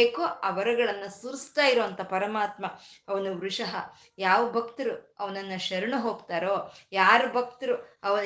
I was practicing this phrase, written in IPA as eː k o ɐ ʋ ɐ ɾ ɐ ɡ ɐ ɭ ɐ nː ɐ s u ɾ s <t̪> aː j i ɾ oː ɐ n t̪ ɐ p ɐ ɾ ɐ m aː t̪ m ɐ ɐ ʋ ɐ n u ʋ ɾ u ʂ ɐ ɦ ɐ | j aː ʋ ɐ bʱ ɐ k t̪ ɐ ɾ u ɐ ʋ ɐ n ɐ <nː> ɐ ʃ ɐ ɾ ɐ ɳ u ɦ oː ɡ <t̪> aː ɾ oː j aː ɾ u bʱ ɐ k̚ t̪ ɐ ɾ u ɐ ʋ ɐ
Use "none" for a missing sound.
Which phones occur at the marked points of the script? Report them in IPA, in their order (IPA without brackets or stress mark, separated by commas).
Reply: t̪, nː, t̪